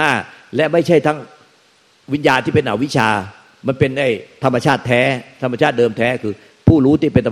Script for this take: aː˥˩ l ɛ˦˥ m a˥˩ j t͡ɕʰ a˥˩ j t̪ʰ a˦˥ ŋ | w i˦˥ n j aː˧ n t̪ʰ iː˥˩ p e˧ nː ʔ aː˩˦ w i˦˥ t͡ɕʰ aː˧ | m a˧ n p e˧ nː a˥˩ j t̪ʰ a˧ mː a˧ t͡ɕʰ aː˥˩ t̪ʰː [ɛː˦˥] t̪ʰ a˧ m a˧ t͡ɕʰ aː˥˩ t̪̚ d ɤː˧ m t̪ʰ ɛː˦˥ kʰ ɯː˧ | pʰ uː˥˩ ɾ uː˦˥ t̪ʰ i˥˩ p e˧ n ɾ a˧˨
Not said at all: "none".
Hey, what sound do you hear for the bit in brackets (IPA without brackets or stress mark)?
ɛː˦˥